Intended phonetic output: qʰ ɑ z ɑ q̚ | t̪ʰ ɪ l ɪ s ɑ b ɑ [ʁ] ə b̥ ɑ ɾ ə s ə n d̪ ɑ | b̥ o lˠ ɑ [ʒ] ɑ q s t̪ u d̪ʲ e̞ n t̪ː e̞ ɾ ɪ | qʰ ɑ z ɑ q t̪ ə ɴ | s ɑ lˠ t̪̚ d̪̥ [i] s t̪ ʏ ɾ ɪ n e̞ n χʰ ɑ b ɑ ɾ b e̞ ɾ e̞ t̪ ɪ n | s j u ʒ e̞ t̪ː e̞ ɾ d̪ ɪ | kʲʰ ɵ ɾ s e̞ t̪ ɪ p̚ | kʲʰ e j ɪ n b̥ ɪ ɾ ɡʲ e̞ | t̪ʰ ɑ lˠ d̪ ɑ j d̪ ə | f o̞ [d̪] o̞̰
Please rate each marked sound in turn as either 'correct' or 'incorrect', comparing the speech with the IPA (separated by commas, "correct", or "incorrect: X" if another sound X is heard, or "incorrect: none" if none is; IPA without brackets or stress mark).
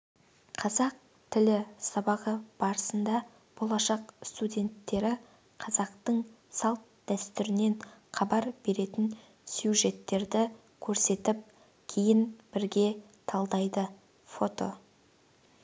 correct, incorrect: ʃ, incorrect: æ, incorrect: t̪